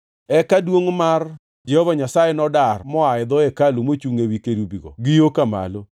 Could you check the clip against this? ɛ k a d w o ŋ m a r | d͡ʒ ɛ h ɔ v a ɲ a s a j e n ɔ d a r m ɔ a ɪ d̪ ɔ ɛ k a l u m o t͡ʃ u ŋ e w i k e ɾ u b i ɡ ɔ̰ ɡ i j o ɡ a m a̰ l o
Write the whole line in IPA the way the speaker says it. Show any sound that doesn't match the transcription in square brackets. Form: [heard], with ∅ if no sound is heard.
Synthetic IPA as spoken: ɛ k a d w o ŋ m a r | d͡ʒ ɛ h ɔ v a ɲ a s a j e n ɔ d a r m ɔ a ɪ d̪ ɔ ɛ k a l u m o t͡ʃ u ŋ e w i k e ɾ u b i ɡ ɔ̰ ɡ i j o [k] a m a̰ l o